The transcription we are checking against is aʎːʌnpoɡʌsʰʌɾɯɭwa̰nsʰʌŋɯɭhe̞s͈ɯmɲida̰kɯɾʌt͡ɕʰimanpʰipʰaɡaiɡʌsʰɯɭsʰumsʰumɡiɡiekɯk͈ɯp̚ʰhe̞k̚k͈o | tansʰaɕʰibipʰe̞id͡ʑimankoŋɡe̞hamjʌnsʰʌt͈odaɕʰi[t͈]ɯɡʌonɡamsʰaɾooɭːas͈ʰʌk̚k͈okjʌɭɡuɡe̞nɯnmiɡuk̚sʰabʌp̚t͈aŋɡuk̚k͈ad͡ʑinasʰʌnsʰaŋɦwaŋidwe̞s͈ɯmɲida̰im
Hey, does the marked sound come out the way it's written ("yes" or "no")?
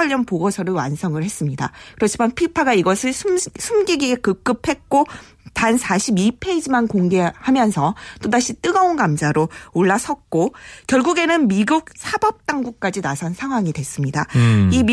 yes